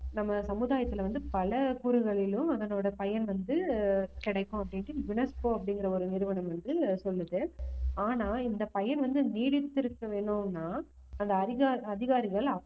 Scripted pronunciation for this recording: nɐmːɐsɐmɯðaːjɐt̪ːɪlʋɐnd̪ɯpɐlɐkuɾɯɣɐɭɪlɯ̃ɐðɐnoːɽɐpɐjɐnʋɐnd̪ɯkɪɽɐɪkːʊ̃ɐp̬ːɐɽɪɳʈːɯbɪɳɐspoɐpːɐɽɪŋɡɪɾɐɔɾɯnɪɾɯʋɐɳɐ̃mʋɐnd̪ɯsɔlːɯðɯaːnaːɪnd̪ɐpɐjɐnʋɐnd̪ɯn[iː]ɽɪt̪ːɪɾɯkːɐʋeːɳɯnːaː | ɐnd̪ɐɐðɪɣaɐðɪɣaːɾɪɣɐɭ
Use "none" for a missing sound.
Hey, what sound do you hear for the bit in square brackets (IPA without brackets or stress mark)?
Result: iː